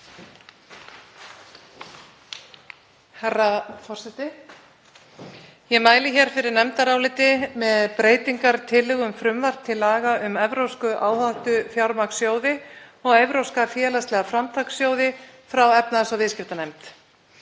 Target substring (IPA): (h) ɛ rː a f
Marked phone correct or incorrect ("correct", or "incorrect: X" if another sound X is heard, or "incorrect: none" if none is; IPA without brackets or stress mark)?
correct